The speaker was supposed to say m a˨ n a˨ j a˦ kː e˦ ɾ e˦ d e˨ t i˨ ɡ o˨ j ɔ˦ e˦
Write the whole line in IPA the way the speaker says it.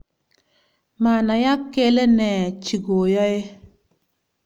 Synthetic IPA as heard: m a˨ n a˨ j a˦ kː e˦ l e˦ n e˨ t͡ʃ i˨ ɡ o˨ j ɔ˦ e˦